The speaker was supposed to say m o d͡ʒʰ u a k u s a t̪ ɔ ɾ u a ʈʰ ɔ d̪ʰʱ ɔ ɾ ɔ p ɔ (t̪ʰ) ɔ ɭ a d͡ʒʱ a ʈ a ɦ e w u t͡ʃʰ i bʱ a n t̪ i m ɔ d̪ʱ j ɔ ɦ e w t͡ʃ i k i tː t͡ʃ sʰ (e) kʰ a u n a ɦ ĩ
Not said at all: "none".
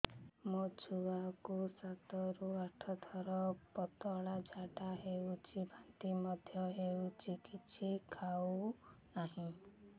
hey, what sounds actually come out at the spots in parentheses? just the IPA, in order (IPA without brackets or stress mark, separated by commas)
t̪, i